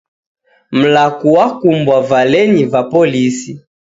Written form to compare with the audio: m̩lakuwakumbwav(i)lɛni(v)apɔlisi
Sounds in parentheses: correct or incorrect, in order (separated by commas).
incorrect, correct